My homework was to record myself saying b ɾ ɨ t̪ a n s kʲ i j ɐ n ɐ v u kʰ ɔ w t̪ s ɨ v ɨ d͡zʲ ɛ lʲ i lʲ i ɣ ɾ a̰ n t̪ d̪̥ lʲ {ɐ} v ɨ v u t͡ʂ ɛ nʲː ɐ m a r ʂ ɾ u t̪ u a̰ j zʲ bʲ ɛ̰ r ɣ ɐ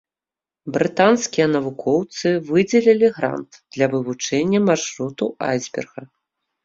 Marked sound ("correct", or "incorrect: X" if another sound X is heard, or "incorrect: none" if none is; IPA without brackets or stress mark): correct